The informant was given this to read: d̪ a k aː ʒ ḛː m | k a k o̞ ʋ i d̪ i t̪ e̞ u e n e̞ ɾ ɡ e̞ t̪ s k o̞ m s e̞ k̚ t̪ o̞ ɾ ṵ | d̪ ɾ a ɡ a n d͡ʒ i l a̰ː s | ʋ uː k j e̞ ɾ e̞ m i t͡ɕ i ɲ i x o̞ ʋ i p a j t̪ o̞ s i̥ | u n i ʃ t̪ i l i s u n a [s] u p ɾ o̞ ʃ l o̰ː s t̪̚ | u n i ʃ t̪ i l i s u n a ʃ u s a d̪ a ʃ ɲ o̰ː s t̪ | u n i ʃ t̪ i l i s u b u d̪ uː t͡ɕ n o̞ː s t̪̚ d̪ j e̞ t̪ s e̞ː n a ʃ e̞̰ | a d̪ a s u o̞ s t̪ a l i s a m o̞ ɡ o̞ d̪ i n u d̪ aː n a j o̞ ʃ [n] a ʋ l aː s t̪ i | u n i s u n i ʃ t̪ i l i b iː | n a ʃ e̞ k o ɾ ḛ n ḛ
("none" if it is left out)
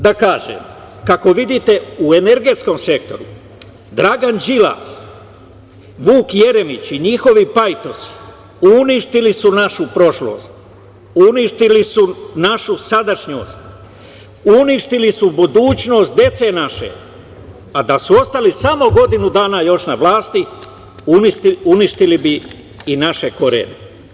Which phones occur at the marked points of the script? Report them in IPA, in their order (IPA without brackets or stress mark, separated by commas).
ʃ, n